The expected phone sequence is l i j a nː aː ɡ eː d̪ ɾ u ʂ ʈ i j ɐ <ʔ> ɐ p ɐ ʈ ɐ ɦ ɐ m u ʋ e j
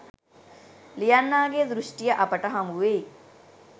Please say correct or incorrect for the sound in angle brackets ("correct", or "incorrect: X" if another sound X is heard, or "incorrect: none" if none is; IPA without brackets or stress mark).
correct